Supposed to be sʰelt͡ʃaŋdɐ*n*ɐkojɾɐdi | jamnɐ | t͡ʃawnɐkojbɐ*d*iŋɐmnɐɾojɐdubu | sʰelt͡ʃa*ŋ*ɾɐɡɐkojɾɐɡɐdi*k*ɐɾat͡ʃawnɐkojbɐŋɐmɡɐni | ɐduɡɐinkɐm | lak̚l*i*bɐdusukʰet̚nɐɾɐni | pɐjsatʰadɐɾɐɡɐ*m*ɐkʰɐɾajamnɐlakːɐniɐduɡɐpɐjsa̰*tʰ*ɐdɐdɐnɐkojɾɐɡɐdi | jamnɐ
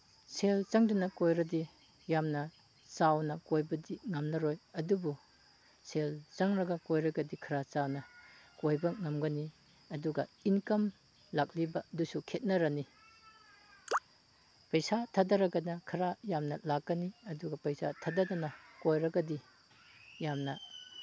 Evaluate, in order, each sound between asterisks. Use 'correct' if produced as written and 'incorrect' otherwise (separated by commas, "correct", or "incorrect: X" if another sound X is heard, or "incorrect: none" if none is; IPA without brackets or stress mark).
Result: correct, correct, correct, incorrect: kʰ, correct, incorrect: n, correct